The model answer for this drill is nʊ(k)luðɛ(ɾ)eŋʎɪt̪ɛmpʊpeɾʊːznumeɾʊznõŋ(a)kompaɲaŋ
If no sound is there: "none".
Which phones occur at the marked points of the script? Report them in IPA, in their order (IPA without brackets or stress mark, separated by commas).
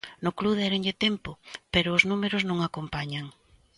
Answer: k, ɾ, a